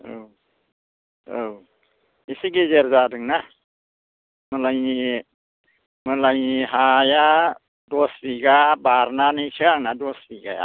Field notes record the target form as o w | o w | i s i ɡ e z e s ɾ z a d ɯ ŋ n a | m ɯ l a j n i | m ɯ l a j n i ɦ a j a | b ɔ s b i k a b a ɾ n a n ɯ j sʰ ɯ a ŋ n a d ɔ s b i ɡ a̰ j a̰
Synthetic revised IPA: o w | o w | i s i ɡ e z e ɾ z a d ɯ ŋ n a | m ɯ l a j n i | m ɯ l a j n i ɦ a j a | d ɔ s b i ɡ a b a ɾ n a n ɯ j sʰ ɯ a ŋ n a d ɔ s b i ɡ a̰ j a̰

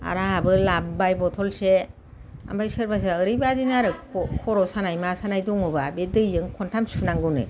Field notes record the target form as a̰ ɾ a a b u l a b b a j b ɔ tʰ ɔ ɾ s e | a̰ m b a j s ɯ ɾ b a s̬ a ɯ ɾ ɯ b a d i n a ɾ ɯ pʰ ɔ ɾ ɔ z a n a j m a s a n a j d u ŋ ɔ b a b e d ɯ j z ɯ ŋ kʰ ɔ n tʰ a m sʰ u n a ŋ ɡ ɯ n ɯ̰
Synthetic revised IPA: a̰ ɾ a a b ɯ l a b b a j b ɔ tʰ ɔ l s e | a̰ m b a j s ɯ ɾ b a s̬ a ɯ ɾ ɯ b a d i n a ɾ ɯ kʰ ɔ ɾ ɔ s a n a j m a s a n a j d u ŋ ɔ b a b e d ɯ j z ɯ ŋ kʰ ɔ n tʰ a m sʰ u n a ŋ ɡ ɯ n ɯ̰

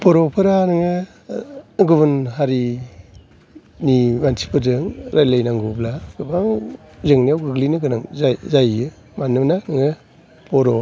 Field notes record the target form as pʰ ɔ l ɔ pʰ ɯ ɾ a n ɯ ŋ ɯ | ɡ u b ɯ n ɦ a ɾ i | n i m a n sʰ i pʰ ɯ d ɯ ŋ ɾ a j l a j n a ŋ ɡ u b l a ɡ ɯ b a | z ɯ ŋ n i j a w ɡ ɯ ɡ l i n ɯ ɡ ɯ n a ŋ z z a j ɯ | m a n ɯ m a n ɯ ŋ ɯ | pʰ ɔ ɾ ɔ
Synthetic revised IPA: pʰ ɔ ɾ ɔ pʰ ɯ ɾ a n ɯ ŋ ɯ | ɡ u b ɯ n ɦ a ɾ i | n i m a n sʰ i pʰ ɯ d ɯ ŋ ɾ a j l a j n a ŋ ɡ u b l a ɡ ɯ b a | z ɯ ŋ n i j a w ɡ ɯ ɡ l i n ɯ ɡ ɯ n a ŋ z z a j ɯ | m a n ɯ n a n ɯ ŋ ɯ | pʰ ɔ ɾ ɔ

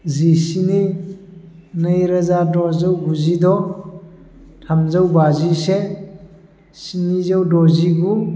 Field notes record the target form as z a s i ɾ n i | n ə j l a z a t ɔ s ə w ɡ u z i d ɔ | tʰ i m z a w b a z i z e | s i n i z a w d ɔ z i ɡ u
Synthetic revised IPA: z i s i n i | n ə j ɾ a z a d ɔ z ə w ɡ u z i d ɔ | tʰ a m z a w b a z i s e | s i n i z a w d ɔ z i ɡ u

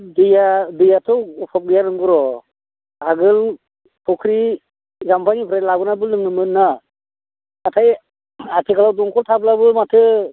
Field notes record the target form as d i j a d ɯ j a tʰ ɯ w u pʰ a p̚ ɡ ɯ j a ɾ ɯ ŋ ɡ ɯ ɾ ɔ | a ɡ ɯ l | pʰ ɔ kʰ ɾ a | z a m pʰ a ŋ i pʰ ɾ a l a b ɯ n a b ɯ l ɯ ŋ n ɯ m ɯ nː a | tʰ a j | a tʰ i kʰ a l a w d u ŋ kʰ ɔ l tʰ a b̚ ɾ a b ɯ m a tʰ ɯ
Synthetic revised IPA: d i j a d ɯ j a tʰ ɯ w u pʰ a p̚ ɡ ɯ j a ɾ ɯ ŋ ɡ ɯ ɾ ɔ | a ɡ ɯ l | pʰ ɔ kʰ ɾ i | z a m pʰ a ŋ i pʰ ɾ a l a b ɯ n a b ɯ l ɯ ŋ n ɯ m ɯ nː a | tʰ a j | a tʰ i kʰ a l a w d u ŋ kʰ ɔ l tʰ a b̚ l a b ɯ m a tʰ ɯ

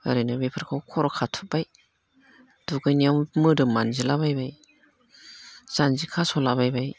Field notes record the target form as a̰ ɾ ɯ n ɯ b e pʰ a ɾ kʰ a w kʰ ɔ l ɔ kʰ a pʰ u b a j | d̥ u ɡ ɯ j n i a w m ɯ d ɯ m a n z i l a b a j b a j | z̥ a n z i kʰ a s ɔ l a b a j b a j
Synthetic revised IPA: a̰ ɾ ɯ n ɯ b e pʰ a ɾ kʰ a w kʰ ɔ ɾ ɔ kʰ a tʰ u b a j | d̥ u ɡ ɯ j n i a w m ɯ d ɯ m a n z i l a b a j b a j | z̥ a n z i kʰ a s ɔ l a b a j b a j

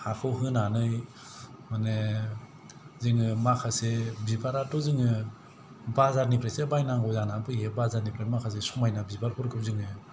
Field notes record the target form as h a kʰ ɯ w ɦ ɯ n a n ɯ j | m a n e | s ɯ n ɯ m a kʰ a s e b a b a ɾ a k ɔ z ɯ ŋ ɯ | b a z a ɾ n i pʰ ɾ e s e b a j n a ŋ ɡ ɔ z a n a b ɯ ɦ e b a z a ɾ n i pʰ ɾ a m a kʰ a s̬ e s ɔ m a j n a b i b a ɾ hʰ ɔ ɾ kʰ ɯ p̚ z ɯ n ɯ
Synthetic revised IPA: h a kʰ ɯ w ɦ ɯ n a n ɯ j | m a n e | z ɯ ŋ ɯ m a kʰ a s e b i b a ɾ a t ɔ z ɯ ŋ ɯ | b a z a ɾ n i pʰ ɾ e s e b a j n a ŋ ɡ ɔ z a n a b ɯ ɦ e b a z a ɾ n i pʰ ɾ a m a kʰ a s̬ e s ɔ m a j n a b i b a ɾ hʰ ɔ ɾ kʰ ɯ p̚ z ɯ ŋ ɯ

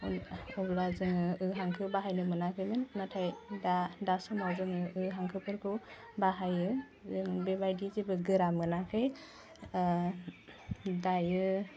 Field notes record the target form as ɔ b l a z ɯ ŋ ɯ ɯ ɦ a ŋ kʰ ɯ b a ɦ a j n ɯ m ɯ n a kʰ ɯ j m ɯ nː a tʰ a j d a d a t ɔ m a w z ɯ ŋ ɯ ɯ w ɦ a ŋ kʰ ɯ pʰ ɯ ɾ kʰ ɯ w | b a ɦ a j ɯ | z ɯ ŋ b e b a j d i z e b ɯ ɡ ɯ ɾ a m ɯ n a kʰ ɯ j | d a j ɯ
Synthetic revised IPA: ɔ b l a z ɯ ŋ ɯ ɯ ɦ a ŋ kʰ ɯ b a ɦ a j n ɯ m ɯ n a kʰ ɯ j m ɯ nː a tʰ a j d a d a s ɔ m a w z ɯ ŋ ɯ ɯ ɦ a ŋ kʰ ɯ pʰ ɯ ɾ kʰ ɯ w | b a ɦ a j ɯ | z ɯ ŋ b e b a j d i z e b ɯ ɡ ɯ ɾ a m ɯ n a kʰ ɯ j | d a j ɯ

